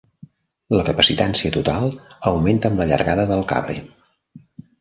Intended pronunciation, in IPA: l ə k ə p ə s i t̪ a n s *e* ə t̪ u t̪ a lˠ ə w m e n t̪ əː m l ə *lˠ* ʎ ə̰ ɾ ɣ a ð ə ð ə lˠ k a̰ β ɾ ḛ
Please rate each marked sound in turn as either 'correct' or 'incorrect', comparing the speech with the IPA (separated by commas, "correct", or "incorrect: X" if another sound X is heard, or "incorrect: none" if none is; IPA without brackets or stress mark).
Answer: incorrect: i, incorrect: none